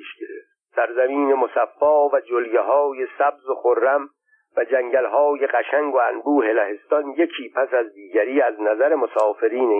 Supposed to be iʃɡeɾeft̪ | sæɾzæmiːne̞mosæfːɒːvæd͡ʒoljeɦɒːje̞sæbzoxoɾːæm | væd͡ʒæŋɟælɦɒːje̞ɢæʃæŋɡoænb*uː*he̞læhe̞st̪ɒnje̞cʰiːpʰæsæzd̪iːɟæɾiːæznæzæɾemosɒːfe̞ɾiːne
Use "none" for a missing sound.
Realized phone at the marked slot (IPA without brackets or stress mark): uː